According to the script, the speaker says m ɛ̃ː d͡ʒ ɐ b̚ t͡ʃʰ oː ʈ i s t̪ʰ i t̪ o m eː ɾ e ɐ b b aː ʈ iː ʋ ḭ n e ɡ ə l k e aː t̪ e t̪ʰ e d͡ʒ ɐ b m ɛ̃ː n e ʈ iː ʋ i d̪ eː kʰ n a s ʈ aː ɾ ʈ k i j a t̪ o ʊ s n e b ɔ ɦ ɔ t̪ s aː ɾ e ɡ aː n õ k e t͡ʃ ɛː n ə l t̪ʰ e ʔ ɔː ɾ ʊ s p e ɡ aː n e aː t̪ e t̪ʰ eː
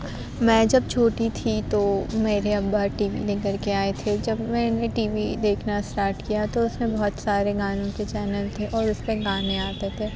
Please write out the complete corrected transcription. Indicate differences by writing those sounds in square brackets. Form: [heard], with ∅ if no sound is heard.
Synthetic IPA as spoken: m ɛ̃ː d͡ʒ ɐ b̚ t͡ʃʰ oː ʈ i [∅] t̪ʰ i t̪ o m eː ɾ e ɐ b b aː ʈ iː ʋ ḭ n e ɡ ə [ɾ] k e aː [∅] e t̪ʰ e d͡ʒ ɐ b m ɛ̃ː n e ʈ iː ʋ i d̪ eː kʰ n a s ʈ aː ɾ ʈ k i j a t̪ o ʊ s n e b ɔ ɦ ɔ t̪ s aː ɾ e ɡ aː n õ k e t͡ʃ ɛː n ə l t̪ʰ e ʔ ɔː ɾ ʊ s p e ɡ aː n e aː t̪ e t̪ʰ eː